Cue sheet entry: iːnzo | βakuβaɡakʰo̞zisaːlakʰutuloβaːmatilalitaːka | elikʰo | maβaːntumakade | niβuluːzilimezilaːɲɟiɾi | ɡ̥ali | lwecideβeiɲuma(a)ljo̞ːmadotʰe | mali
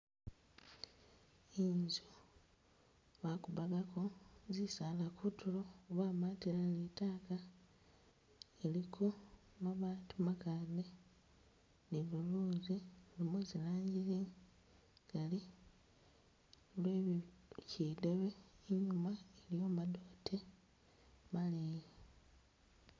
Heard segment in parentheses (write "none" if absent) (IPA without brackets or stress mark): e